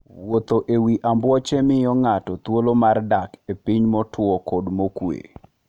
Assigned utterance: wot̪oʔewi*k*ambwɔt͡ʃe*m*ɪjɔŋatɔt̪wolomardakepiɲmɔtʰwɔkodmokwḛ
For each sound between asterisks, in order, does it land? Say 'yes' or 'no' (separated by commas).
no, yes